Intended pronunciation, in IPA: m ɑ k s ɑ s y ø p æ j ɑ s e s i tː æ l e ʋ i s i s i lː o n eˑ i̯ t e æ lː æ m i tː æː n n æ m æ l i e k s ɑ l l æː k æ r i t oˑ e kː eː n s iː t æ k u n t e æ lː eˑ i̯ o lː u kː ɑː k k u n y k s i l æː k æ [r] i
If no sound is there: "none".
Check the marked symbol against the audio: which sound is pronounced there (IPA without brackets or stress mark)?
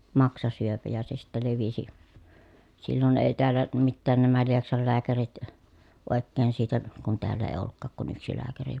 r